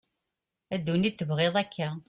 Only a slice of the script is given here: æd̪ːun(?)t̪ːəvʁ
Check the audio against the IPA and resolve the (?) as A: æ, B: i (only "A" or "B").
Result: B